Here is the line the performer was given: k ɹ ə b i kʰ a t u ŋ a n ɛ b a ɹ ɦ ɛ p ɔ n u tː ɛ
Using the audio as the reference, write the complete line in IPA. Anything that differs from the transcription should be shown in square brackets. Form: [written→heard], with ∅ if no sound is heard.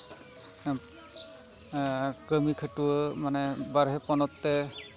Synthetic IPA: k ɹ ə [b→m] i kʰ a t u [ŋ→m] a n ɛ b a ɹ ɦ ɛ p ɔ n [u→ɔ] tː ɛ